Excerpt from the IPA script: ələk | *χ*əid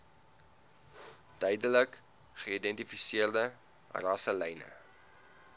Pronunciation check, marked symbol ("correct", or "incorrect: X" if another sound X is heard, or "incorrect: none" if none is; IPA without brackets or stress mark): correct